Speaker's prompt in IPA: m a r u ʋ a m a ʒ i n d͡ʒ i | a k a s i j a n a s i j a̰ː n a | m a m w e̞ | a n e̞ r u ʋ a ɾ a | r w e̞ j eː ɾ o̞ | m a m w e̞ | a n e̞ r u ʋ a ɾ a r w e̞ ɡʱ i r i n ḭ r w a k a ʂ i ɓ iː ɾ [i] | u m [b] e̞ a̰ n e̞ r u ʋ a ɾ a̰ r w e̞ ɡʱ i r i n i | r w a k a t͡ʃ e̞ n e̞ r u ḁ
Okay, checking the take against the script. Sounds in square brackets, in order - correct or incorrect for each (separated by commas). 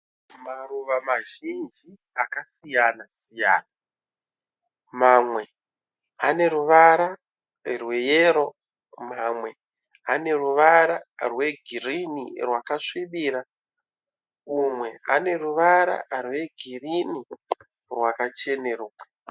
incorrect, incorrect